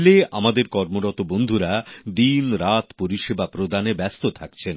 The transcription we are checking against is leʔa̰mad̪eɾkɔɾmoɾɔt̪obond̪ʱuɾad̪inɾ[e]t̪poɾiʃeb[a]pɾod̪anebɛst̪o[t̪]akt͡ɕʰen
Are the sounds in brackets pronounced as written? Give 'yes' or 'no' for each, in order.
no, yes, no

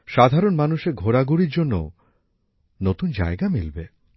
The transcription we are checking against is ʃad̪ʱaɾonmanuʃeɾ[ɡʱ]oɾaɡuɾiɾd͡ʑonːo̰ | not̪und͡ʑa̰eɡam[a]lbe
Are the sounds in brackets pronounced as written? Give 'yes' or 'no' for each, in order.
yes, no

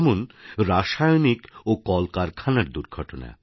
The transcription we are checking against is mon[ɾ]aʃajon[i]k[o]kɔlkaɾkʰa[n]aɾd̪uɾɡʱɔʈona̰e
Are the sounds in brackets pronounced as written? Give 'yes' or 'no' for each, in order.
yes, yes, yes, yes

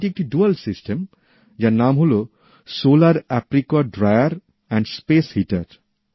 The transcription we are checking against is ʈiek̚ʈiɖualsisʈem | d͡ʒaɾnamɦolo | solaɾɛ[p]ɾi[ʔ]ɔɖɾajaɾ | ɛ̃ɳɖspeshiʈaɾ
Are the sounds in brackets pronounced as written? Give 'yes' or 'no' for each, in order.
yes, no

